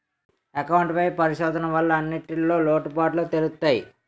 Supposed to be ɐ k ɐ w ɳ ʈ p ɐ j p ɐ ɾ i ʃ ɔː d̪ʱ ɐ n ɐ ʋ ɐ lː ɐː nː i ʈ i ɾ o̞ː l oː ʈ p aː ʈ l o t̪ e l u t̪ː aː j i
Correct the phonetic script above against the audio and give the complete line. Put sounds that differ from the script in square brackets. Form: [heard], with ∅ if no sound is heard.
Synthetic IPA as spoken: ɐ k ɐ w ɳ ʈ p ɐ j p ɐ ɾ i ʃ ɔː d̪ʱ ɐ n ɐ ʋ ɐ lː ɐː nː i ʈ i [l] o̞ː l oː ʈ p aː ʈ l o t̪ e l u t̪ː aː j i